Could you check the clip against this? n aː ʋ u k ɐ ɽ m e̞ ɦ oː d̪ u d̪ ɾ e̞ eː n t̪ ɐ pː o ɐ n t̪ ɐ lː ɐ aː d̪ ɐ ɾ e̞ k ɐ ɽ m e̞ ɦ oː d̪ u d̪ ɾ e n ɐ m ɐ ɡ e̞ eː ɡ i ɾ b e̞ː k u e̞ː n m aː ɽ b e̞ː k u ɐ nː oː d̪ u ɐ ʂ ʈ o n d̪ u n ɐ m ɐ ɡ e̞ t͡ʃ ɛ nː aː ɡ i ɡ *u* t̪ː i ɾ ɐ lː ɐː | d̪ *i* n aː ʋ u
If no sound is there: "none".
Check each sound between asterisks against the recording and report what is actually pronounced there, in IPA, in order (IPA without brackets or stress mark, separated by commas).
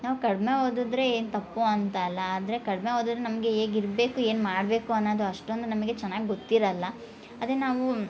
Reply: o, e